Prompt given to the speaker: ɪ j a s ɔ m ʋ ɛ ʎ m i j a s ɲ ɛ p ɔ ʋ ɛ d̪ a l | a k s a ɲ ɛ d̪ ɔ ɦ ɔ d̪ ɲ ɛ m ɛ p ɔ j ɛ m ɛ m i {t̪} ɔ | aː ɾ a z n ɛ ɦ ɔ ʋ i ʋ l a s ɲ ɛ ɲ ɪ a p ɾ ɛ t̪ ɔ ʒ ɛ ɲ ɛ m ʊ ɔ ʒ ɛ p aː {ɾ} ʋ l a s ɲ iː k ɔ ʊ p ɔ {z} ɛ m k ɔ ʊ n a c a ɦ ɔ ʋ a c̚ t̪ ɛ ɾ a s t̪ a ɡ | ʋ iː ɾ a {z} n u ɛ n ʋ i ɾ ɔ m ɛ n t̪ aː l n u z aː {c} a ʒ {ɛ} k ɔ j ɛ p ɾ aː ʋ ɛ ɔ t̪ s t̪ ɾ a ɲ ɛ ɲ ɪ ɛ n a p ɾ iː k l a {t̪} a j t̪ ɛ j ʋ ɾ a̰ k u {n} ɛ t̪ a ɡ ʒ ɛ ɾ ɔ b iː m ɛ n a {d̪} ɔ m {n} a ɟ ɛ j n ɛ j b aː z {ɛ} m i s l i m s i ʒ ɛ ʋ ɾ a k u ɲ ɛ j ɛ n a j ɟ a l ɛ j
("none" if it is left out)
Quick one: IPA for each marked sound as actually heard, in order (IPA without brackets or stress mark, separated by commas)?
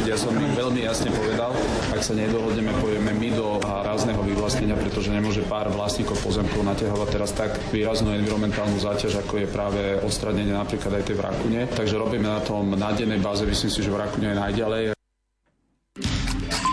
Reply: d̪, ɾ, z, z, c, a, d̪, ɲ, t̪, n, ɛ